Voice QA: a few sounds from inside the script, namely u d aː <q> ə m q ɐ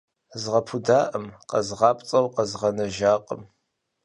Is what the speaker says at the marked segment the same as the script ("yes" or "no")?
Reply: no